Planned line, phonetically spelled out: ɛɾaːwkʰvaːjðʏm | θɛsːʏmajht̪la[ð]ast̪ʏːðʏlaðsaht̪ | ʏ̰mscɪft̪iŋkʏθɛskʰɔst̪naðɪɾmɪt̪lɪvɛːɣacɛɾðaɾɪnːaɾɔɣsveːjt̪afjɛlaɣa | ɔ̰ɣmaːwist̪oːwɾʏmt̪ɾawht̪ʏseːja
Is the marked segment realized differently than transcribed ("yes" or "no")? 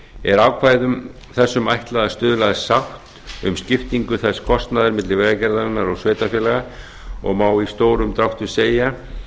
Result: no